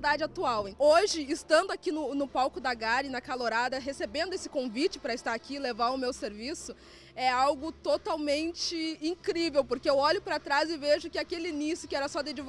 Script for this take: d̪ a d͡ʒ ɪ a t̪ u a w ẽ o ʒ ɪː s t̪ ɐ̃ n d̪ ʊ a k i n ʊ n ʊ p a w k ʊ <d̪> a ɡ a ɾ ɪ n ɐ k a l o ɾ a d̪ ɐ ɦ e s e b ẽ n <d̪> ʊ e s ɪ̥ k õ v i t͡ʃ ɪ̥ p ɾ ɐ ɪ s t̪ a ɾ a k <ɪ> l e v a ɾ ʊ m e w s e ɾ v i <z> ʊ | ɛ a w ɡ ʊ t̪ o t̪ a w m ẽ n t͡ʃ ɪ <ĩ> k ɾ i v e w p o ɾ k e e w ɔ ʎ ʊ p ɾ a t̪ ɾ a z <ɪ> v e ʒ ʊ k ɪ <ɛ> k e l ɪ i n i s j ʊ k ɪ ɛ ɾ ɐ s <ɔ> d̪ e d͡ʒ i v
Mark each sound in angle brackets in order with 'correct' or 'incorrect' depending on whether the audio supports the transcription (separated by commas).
correct, correct, incorrect, incorrect, correct, correct, incorrect, correct